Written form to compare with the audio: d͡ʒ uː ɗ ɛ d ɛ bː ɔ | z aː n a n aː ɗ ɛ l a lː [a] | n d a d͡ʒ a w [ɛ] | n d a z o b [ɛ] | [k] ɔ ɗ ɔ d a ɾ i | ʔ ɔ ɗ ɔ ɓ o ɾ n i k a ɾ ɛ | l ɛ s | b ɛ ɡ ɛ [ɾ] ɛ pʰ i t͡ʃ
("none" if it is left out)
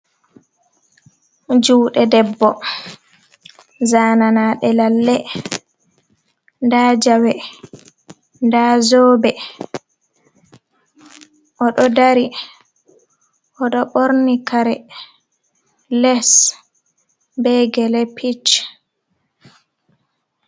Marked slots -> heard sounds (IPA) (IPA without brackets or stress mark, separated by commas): ɛ, ɛ, ɛ, ʔ, l